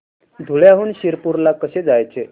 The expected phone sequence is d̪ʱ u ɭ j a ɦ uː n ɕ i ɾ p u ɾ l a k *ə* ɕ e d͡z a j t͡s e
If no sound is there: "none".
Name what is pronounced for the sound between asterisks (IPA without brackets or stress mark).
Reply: ə